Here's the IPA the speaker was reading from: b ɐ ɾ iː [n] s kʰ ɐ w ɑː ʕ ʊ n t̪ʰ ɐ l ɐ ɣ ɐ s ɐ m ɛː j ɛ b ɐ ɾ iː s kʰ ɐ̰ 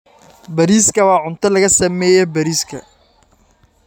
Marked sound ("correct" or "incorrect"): incorrect